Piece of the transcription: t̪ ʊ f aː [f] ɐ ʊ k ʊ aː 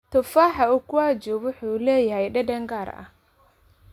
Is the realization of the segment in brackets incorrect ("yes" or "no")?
yes